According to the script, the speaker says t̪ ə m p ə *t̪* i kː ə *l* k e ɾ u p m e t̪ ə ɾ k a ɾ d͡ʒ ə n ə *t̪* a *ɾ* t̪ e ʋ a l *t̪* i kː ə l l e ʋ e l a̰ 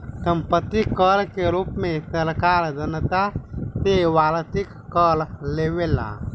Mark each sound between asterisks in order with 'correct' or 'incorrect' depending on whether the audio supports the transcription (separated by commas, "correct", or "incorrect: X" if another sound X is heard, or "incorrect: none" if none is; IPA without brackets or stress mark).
correct, correct, correct, incorrect: none, correct